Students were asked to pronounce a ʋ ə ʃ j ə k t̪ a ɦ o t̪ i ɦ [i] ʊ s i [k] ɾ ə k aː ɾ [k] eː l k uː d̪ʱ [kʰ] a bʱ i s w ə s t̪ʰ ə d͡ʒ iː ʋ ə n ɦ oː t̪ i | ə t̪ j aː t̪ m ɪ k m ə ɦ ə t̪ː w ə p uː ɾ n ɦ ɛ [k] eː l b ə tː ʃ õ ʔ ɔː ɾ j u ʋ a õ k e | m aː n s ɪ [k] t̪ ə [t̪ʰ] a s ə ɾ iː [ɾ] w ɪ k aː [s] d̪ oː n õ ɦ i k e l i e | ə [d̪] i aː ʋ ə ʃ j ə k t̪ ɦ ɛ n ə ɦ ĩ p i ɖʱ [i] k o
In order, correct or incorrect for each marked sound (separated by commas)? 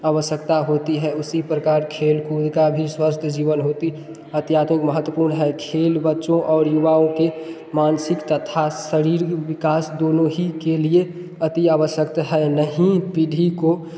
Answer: incorrect, incorrect, incorrect, incorrect, incorrect, correct, correct, correct, correct, incorrect, correct